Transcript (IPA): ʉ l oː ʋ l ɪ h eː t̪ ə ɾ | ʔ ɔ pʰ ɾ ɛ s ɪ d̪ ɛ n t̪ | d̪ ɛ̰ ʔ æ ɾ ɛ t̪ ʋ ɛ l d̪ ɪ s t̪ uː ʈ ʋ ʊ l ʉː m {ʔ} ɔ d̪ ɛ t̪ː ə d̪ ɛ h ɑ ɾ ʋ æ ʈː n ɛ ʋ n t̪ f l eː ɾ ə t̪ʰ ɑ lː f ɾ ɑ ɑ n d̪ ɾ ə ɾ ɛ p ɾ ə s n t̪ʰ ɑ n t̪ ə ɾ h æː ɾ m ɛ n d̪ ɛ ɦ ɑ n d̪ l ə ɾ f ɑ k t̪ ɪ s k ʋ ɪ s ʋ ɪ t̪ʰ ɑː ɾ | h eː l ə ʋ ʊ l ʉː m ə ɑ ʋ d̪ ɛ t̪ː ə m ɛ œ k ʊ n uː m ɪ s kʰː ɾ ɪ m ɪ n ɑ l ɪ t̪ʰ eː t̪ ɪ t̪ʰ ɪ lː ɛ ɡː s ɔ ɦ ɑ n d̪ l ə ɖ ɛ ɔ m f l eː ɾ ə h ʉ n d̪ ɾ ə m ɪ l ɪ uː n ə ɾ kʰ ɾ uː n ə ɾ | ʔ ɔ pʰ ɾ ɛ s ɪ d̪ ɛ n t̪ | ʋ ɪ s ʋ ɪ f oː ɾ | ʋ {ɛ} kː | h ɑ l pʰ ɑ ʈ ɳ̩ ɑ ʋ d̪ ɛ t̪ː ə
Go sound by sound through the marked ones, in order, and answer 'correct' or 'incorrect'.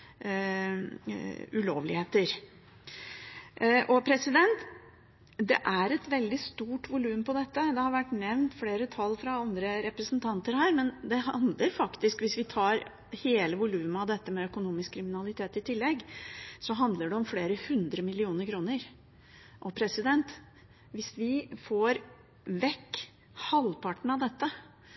incorrect, correct

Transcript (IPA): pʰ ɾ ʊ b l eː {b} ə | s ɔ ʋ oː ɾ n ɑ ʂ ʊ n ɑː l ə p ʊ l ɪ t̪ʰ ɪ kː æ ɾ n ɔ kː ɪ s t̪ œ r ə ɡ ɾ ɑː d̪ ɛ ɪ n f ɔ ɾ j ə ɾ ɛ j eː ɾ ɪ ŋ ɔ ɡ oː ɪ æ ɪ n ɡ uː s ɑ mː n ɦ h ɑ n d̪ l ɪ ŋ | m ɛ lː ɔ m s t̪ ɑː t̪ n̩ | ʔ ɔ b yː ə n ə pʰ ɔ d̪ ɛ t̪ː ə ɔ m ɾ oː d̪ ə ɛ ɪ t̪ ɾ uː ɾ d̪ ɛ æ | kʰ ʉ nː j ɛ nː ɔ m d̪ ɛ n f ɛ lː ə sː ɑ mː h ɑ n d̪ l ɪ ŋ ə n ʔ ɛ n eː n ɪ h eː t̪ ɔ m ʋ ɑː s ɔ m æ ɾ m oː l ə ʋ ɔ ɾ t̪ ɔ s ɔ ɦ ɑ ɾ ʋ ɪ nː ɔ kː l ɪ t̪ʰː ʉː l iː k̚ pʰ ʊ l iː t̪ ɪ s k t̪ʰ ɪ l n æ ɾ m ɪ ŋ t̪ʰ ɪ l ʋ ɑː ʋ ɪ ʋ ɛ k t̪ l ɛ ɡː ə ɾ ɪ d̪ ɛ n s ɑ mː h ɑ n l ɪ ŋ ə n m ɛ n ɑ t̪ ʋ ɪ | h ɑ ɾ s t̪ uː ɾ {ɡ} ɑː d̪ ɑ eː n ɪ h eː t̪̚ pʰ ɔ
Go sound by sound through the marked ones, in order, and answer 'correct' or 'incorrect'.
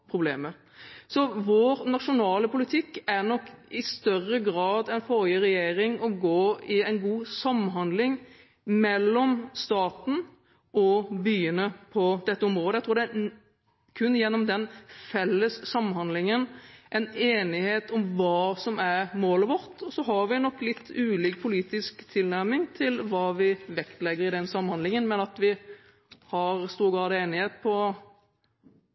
incorrect, correct

